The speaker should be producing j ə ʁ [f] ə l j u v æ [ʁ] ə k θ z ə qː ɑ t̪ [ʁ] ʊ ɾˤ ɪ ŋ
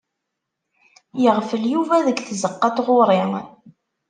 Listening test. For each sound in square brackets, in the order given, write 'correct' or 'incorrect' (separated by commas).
correct, incorrect, correct